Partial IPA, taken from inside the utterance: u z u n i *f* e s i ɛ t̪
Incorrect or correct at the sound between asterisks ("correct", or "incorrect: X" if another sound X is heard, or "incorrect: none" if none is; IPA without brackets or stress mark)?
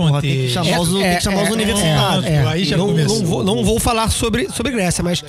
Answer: incorrect: v